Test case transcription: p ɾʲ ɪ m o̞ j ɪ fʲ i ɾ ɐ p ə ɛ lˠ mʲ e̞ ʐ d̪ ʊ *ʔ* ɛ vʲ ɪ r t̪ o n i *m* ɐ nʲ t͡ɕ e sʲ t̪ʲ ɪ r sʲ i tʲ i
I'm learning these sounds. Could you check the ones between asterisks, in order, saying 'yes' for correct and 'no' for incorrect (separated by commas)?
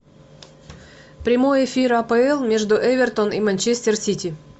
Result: yes, yes